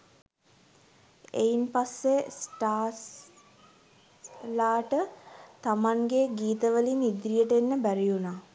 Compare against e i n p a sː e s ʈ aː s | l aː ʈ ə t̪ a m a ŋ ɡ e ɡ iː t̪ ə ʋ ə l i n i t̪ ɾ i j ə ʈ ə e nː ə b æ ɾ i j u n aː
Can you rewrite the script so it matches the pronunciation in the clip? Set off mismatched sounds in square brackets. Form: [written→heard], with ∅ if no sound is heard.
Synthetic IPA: e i n p a sː e s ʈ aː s | l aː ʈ ə t̪ a m a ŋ ɡ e ɡ iː t̪ ə ʋ ə l i n i [t̪→d̪] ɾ i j ə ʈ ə e nː ə b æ ɾ i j u n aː